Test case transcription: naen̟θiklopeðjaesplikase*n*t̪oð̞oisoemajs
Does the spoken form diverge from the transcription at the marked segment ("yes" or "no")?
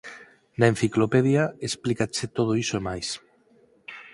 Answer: yes